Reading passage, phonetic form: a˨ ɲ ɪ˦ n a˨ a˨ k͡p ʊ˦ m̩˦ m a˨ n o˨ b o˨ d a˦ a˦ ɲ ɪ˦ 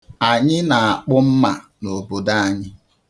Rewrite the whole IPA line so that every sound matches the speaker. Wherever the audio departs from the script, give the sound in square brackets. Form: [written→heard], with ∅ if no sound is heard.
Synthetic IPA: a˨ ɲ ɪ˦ n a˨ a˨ k͡p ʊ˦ m̩˦ m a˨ n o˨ b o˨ d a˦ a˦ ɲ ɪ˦